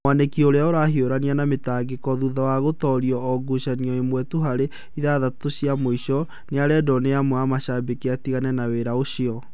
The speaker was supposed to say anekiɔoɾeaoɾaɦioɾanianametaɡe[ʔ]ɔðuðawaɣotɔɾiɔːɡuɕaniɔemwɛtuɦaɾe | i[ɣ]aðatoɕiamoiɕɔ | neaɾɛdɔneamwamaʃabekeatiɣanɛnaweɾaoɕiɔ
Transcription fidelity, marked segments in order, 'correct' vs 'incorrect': incorrect, incorrect

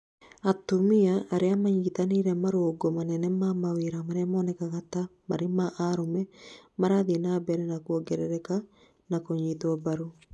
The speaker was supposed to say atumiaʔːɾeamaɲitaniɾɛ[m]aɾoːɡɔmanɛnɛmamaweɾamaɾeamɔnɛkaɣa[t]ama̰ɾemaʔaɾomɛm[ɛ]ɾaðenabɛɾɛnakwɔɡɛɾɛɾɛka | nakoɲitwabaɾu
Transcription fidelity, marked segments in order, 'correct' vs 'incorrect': correct, correct, incorrect

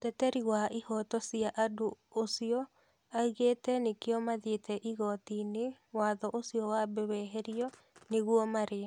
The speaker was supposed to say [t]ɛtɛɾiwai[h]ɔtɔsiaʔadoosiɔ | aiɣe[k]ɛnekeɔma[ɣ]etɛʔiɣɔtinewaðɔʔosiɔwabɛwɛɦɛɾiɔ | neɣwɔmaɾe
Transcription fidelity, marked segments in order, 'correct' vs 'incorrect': correct, correct, incorrect, incorrect

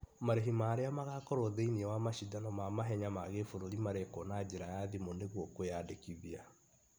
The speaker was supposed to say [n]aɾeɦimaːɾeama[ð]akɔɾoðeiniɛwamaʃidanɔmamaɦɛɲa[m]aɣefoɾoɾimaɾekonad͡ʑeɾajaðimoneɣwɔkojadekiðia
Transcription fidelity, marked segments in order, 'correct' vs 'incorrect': incorrect, incorrect, correct

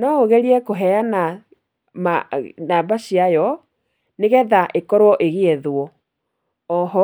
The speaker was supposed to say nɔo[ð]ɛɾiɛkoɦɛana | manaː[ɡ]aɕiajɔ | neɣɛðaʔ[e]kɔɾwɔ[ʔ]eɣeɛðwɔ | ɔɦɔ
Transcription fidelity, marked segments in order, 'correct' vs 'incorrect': incorrect, incorrect, correct, correct

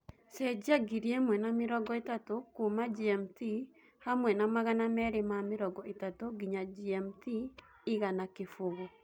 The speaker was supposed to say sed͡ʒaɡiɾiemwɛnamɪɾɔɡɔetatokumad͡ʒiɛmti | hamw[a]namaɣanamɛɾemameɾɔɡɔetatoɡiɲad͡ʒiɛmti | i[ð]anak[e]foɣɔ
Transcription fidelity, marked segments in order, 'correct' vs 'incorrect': incorrect, incorrect, correct

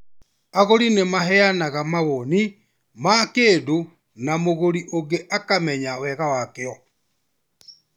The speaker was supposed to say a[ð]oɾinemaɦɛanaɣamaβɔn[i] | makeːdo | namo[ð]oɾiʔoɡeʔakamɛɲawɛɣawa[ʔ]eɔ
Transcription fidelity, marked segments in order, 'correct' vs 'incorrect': incorrect, correct, incorrect, incorrect

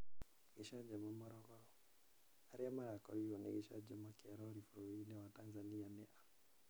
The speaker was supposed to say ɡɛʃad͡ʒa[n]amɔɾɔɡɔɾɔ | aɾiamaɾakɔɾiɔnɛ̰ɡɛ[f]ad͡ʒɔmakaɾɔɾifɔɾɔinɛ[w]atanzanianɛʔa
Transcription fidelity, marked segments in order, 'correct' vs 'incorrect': incorrect, incorrect, correct

